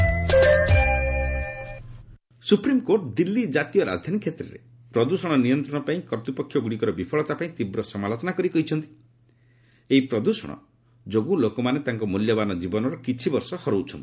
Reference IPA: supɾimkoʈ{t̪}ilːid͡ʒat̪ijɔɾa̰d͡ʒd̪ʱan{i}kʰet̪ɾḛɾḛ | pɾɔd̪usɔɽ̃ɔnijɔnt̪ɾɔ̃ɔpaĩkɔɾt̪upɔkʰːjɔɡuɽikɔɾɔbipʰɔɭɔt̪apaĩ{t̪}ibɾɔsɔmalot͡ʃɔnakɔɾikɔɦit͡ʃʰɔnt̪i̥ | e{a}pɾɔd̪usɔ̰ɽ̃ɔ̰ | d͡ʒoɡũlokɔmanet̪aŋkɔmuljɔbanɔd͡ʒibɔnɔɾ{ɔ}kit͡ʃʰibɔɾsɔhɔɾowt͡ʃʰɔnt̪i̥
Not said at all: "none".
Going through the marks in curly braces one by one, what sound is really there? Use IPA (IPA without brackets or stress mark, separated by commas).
d̪, i, t̪, i, ɔ